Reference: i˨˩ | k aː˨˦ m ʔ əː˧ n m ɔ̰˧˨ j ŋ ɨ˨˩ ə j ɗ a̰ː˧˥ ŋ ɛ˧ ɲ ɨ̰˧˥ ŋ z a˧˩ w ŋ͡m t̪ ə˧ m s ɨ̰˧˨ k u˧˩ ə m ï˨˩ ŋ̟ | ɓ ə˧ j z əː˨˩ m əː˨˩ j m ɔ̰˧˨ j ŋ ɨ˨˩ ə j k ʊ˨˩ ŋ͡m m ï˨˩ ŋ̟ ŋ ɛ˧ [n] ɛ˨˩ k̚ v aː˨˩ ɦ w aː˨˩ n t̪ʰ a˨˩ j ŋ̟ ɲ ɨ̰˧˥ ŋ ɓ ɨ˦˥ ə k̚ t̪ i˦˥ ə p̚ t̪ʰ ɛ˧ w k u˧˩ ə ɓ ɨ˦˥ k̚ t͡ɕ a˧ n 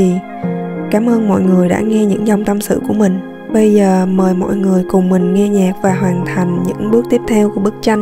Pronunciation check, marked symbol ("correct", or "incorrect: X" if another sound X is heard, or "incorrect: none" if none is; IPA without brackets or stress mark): incorrect: ɲ